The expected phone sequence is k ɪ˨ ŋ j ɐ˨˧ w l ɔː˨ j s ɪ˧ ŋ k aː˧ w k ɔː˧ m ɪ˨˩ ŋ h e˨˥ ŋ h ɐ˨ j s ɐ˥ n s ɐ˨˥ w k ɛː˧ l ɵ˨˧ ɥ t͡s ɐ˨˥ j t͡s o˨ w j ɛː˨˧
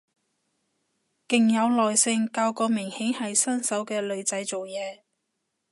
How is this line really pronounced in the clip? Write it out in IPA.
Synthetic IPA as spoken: k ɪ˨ ŋ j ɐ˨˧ w l ɔː˨ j s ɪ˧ ŋ k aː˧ w k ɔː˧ m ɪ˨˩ ŋ h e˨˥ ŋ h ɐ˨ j s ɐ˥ n s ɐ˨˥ w k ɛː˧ l ɵ˨˧ ɥ t͡s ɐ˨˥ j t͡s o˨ w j ɛː˨˧